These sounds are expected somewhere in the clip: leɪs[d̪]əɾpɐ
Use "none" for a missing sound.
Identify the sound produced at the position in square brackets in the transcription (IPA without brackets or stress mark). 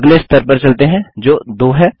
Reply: t̪